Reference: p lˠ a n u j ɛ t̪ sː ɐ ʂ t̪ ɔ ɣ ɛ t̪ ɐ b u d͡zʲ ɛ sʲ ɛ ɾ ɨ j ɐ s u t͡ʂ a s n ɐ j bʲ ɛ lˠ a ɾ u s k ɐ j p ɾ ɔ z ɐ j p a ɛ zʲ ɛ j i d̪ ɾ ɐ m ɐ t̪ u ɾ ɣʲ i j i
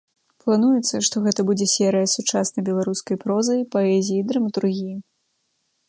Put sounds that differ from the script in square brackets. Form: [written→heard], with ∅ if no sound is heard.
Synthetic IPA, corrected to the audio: p lˠ a n u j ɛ t̪ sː ɐ ʂ t̪ ɔ ɣ ɛ t̪ ɐ b u d͡zʲ ɛ sʲ ɛ ɾ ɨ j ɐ s u t͡ʂ a s n ɐ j bʲ ɛ lˠ a ɾ u s k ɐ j p ɾ ɔ z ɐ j p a ɛ zʲ [ɛ→i] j i d̪ ɾ ɐ m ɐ t̪ u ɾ ɣʲ i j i